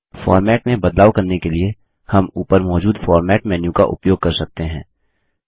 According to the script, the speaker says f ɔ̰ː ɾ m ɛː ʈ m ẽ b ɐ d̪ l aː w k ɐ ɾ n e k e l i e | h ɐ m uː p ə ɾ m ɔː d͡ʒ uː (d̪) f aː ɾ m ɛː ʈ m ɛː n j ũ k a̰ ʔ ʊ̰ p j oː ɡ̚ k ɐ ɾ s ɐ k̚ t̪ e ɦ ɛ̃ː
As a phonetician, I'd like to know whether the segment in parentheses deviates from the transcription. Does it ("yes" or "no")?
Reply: no